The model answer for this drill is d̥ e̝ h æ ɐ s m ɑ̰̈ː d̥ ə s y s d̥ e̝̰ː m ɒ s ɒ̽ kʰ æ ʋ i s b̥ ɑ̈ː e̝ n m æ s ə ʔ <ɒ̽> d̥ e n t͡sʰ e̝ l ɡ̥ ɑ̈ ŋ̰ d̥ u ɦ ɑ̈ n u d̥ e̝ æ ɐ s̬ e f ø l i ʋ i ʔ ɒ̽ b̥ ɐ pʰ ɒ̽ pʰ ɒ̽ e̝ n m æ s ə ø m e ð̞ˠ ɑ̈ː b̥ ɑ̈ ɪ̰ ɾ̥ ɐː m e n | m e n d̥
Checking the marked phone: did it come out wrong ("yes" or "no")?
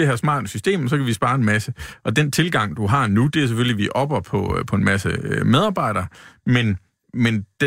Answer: no